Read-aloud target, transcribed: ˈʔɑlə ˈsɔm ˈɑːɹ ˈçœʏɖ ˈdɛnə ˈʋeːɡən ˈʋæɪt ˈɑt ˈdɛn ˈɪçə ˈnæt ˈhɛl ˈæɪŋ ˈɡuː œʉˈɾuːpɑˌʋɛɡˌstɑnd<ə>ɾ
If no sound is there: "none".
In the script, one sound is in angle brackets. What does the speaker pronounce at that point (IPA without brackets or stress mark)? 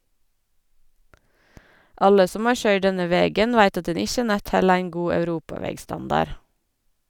ɑ